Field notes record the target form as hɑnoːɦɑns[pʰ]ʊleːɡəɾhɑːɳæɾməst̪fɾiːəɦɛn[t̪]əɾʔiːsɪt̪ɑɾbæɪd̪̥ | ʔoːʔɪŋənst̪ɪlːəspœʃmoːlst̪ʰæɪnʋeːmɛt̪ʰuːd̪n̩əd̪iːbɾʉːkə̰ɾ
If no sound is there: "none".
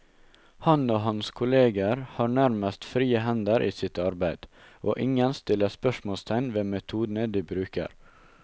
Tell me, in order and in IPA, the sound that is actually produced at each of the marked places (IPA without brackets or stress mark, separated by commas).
kʰ, d̪